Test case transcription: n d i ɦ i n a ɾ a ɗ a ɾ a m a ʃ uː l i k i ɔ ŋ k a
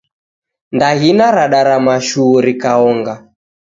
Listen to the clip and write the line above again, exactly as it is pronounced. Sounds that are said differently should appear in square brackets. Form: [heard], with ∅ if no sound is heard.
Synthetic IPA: n d [a] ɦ i n a ɾ a ɗ a ɾ a m a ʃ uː [ɾ] i k [a] ɔ ŋ [ɡ] a